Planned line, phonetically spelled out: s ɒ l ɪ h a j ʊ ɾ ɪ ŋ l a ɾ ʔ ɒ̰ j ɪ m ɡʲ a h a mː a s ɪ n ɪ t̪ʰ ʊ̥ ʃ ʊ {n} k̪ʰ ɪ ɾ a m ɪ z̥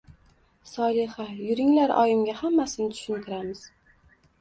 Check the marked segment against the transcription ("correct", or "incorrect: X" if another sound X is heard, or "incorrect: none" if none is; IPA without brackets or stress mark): correct